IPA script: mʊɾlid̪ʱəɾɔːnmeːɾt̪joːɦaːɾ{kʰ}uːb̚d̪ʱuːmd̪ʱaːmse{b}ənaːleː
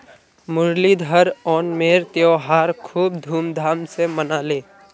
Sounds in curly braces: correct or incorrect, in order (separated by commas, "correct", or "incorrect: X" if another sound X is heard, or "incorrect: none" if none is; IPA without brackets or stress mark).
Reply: correct, incorrect: m